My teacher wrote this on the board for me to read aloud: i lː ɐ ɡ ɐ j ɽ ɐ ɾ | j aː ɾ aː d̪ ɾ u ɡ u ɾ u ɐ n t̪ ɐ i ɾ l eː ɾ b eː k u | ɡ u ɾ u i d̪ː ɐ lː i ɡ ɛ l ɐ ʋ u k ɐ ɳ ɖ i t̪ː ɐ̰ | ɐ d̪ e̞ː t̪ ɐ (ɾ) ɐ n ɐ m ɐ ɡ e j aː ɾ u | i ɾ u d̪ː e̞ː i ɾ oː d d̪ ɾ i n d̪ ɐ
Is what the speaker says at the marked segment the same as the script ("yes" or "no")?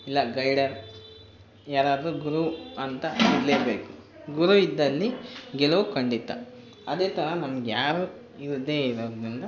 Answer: yes